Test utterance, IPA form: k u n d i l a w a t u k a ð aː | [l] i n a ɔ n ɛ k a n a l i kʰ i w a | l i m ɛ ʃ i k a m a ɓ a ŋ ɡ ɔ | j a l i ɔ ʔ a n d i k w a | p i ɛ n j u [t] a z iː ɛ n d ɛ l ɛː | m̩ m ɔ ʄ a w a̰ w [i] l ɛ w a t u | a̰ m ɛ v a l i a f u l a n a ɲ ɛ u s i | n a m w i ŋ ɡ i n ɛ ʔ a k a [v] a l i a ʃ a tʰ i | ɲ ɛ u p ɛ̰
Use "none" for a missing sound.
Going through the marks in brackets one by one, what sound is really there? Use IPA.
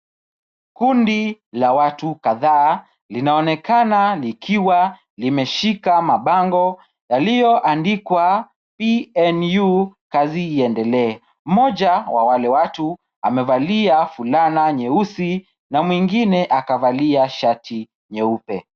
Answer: l, k, a, v

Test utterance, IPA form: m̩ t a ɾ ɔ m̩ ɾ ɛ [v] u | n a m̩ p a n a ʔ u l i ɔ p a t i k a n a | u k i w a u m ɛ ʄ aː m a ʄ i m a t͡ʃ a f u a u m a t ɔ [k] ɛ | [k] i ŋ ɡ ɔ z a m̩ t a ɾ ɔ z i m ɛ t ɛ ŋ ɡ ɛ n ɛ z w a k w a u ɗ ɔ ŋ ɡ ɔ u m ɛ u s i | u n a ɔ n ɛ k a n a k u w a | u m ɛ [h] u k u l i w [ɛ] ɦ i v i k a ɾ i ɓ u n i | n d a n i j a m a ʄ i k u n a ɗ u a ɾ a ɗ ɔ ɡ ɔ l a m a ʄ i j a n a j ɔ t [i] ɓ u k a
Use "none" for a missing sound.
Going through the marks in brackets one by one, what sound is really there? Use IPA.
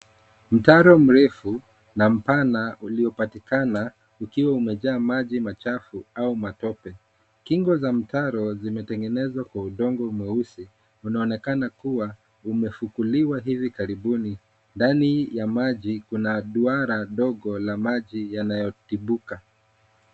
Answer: f, p, k, f, a, i

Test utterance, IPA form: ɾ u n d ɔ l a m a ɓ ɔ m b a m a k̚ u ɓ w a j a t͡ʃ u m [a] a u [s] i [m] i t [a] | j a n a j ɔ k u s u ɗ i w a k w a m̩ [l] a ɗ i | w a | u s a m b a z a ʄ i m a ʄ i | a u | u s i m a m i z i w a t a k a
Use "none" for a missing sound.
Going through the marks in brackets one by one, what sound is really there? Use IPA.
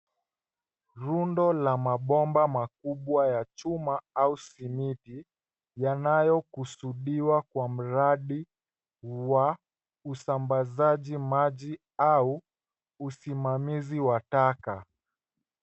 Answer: a, s, m, i, ɾ

